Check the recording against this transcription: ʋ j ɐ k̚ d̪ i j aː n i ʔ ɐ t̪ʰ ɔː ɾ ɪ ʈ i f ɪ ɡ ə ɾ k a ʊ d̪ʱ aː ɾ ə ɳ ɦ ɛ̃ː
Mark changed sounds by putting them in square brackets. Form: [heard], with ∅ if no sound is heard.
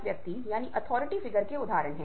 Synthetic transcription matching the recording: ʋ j ɐ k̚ [t̪] i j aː n i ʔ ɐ t̪ʰ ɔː ɾ ɪ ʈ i f ɪ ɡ ə ɾ k [e] ʊ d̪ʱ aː ɾ ə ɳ ɦ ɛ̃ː